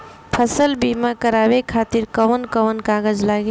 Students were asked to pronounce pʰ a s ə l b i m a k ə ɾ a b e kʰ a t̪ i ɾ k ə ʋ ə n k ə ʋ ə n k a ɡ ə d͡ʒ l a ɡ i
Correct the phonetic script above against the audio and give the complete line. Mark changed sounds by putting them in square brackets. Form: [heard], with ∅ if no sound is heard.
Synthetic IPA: pʰ [ə] s ə l b i m a k ə ɾ a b e kʰ a t̪ i ɾ k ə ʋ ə n k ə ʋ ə n k a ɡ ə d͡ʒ l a ɡ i